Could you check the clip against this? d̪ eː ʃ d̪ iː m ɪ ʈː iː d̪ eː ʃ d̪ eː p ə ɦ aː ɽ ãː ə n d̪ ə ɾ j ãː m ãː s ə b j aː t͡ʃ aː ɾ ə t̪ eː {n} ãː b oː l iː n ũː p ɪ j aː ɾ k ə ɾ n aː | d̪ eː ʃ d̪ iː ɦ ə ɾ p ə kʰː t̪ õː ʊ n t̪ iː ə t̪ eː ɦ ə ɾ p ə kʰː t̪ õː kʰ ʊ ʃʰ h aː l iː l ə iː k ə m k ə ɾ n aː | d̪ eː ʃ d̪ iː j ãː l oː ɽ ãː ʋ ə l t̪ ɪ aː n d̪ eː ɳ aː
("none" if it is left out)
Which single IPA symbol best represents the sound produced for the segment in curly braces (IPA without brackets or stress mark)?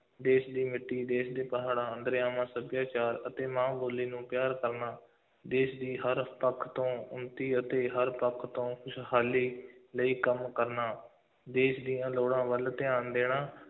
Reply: m